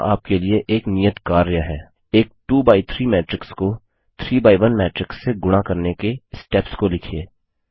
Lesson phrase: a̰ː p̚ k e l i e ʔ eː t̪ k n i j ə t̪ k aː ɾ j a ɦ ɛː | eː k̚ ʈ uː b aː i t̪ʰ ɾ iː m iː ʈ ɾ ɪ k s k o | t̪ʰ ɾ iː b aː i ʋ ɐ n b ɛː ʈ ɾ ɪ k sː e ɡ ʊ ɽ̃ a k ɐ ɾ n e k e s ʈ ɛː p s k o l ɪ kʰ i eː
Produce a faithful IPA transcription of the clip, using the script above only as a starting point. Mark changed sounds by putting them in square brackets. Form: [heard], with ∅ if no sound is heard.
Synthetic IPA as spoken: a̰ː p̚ k e l i e ʔ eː [∅] k n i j ə t̪ k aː ɾ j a ɦ ɛː | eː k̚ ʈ uː b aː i t̪ʰ ɾ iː m [ɛː] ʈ ɾ ɪ k s k o | t̪ʰ ɾ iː b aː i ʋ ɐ n [m] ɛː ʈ ɾ ɪ k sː e ɡ ʊ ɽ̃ a k ɐ ɾ n e k e s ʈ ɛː p s k o l ɪ kʰ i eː